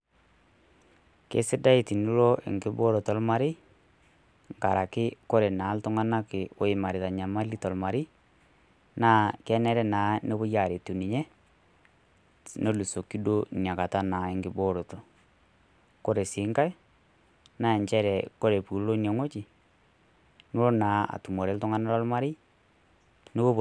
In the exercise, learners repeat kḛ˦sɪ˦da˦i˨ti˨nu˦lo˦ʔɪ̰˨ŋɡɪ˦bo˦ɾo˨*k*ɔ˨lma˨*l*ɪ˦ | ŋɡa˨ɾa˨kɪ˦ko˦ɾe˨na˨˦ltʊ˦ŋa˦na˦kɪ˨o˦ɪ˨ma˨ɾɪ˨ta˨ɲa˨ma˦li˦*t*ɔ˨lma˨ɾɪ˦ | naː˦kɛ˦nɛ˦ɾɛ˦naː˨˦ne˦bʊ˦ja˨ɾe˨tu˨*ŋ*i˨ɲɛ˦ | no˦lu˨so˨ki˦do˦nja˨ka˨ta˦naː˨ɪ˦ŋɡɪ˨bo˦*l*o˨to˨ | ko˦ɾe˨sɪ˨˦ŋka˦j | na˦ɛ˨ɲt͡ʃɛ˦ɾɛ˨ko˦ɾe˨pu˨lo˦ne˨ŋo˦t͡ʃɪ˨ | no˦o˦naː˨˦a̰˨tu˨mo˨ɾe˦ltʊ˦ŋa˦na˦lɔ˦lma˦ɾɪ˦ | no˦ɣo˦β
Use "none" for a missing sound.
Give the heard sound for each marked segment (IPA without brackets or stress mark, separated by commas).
t, ɾ, t, n, ɾ